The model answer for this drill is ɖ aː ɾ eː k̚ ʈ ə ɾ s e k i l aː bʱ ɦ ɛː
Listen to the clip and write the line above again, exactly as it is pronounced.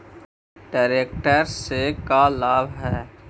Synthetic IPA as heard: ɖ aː ɾ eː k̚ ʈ ə ɾ s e k a l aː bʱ ɦ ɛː

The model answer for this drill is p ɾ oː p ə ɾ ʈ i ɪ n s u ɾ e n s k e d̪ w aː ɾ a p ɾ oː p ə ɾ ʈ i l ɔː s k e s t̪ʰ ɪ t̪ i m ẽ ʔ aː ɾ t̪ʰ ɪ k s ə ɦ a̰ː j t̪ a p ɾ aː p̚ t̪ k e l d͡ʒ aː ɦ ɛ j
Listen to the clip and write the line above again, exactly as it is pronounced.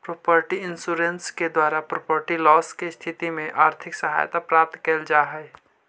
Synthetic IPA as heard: p ɾ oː p ə ɾ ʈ i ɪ n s u ɾ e n s k e d̪ w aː ɾ a p ɾ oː p ə ɾ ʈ i l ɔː s k e s t̪ʰ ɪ t̪ i m ẽ ʔ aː ɾ t̪ʰ ɪ k s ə ɦ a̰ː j t̪ a p ɾ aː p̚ t̪ k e l d͡ʒ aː ɦ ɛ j

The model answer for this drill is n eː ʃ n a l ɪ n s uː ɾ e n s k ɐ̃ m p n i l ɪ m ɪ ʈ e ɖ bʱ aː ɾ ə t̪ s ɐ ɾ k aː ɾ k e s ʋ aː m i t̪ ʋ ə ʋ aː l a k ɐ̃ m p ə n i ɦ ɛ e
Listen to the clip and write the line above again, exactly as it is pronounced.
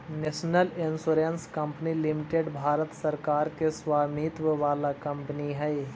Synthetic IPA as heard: n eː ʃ n ə l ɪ n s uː ɾ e n s k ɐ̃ m p n i l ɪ m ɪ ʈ e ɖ bʱ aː ɾ ə t̪ s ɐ ɾ k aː ɾ k e s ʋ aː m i t̪ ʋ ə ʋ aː l a k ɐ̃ m p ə n i ɦ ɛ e

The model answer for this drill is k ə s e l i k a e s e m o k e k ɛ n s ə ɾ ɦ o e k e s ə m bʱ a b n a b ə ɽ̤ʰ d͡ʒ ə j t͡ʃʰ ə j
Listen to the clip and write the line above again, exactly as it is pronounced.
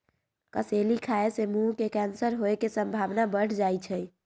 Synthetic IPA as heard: k ə s e l i kʰ a e s e m u k e k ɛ n s ə ɾ ɦ o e k e s ə m bʱ a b n a b ə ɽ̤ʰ d͡ʒ a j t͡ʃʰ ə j

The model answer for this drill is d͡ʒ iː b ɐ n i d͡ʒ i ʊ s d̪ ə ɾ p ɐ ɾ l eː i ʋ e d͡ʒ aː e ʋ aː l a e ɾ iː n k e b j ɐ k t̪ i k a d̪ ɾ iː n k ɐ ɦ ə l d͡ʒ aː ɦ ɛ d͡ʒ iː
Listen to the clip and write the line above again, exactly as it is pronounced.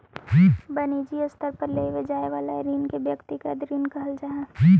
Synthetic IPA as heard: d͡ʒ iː b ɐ n i d͡ʒ i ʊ s t̪ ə ɾ p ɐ ɾ l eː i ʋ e d͡ʒ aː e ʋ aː l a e ɾ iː n k e b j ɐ k t̪ i k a d̪ ɾ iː n k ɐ ɦ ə l d͡ʒ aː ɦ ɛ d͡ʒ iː

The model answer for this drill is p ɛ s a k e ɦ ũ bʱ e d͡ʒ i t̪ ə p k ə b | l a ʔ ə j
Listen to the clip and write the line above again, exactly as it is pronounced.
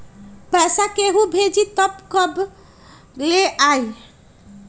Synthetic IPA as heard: p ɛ s a k e ɦ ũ bʱ e d͡ʒ i t̪ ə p k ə b | l e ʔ a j

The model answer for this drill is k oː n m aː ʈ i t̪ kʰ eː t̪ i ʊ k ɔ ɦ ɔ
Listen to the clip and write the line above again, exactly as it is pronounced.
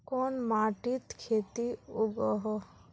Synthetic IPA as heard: k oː n m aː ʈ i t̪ kʰ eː t̪ i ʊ ɡ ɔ ɦ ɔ

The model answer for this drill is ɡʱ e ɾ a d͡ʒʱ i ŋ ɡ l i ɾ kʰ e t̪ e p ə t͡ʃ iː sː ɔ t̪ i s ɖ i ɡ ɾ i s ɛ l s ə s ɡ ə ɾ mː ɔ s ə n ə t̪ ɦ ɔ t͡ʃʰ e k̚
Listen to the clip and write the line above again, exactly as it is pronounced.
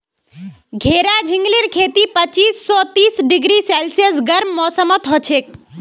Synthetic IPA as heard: ɡʱ e ɾ a d͡ʒʱ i ŋ ɡ l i ɾ kʰ e t̪ i p ə t͡ʃ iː sː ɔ t̪ i s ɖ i ɡ ɾ i s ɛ l s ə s ɡ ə ɾ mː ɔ s ə m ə t̪ ɦ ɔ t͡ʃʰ e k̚

